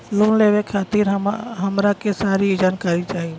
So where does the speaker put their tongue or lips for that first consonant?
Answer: tongue tip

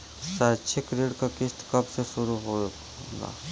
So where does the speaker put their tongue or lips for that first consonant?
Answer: tongue tip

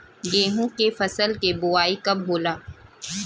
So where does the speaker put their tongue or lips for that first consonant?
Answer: velum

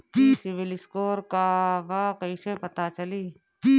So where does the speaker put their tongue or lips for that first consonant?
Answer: tongue tip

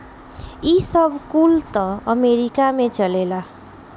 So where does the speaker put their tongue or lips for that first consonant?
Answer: tongue tip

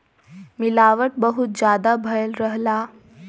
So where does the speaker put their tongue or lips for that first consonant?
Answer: lips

